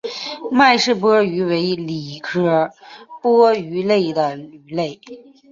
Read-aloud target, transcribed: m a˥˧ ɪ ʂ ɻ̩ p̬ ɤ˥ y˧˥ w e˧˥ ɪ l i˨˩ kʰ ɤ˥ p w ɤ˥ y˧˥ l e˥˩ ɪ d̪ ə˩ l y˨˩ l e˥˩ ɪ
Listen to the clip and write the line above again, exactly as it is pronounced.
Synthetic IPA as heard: m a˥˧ ɪ ʂ ɻ̩ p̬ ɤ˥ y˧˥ w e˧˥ ɪ l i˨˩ kʰ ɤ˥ p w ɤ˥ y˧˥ l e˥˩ ɪ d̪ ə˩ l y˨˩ l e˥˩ ɪ